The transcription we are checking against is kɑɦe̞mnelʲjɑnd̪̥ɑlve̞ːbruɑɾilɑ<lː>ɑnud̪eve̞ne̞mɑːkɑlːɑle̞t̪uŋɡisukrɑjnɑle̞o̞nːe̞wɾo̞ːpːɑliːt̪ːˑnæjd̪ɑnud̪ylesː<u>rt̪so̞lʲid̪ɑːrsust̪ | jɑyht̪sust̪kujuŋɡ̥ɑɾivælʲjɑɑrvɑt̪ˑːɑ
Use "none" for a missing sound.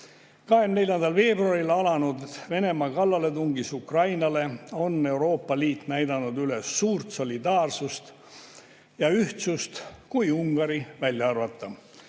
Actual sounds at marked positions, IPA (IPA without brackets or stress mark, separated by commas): l, uː